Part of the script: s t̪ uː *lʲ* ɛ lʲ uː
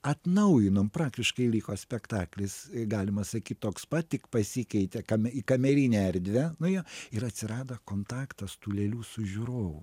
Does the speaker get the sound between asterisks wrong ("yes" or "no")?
no